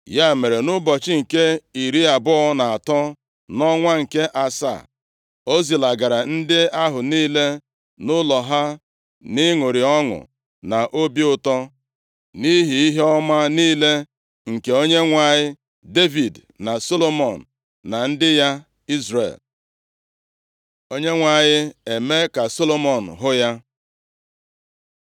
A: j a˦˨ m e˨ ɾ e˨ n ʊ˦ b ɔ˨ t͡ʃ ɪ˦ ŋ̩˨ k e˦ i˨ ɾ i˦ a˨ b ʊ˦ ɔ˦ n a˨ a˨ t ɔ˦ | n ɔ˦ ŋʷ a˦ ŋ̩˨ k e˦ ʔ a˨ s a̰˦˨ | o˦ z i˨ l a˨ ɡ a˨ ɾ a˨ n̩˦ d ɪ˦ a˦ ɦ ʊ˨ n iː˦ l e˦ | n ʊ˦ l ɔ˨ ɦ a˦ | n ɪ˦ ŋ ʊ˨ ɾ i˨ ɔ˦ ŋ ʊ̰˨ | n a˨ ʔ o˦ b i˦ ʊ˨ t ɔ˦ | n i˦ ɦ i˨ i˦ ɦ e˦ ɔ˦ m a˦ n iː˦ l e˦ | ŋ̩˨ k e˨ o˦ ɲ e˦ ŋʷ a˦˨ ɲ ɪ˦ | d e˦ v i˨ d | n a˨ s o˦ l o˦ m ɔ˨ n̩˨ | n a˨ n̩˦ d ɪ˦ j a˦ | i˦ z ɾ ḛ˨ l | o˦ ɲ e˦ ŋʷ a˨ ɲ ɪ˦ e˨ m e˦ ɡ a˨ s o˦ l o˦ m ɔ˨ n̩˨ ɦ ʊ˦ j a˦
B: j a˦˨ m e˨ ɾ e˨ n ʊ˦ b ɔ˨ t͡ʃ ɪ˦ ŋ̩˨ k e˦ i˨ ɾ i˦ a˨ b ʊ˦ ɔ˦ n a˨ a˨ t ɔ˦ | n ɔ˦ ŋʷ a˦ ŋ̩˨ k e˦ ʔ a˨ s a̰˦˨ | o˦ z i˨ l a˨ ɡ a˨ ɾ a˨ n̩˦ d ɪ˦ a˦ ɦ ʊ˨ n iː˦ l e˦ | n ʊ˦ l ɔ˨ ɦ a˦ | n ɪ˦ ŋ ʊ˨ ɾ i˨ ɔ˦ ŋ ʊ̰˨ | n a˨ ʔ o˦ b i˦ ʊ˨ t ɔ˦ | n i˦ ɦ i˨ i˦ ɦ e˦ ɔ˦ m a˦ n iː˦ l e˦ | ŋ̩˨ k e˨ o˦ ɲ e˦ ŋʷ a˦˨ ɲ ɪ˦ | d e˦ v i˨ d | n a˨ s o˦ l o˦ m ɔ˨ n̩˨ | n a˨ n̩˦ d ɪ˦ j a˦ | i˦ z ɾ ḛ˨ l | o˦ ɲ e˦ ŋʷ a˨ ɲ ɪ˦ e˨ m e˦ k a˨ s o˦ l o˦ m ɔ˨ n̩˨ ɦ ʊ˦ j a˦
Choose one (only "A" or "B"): B